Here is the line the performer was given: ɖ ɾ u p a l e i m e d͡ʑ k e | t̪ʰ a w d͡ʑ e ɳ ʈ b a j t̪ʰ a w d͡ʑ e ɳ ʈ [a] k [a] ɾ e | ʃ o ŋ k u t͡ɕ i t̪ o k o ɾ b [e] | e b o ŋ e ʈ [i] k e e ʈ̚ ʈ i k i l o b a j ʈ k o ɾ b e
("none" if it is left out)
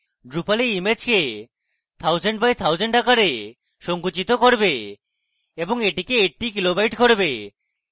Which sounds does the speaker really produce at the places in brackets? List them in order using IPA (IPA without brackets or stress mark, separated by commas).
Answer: a, a, e, i